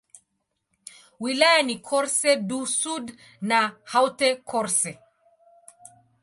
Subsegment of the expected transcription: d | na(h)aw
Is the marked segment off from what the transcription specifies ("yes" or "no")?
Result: no